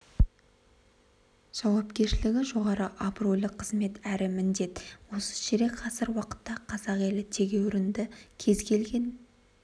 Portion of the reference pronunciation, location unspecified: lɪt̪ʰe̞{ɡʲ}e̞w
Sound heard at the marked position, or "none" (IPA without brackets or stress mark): ɡʲ